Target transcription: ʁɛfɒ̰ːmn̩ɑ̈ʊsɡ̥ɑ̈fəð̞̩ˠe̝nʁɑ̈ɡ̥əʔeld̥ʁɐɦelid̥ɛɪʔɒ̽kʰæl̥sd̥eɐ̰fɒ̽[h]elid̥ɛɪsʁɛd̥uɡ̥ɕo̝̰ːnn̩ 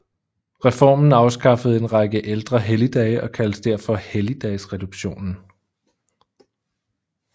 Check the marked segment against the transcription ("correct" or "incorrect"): correct